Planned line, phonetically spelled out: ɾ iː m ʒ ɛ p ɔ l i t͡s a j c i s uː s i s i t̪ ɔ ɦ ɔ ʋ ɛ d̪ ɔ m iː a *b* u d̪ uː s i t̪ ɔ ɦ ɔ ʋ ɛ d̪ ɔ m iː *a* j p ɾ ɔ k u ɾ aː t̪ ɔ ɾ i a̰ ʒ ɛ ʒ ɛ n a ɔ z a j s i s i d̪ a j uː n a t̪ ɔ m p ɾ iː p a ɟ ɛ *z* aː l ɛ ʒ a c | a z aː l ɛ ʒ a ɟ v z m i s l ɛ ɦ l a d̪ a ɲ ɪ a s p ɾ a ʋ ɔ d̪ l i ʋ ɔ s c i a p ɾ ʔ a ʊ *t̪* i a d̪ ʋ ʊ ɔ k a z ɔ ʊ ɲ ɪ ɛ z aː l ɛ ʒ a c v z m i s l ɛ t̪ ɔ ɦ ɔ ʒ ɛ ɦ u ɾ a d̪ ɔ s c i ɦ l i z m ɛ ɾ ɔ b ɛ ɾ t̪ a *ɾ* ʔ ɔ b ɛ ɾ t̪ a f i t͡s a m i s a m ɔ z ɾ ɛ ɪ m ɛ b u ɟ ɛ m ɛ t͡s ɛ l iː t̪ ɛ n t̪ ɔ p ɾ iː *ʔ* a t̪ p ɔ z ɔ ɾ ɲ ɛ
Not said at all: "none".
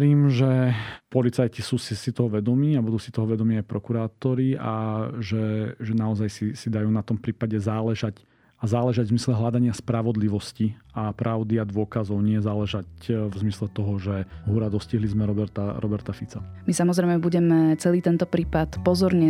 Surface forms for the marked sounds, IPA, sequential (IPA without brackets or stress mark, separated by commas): b, a, z, d̪, ɾ, p